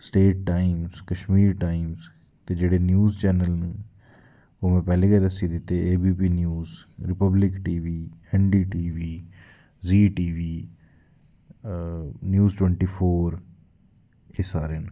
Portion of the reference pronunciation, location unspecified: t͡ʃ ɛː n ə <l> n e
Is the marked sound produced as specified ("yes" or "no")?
yes